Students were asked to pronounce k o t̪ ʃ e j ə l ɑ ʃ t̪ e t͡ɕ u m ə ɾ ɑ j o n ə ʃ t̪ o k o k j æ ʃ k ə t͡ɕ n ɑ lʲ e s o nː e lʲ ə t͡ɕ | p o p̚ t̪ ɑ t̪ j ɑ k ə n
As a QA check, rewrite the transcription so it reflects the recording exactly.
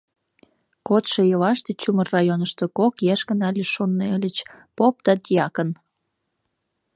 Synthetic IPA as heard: k o t̪ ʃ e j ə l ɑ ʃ t̪ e t͡ɕ u m ə r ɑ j o n ə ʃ t̪ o k o k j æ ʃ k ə n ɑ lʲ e ʃ o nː e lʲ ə t͡ɕ | p o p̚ t̪ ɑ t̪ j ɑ k ə n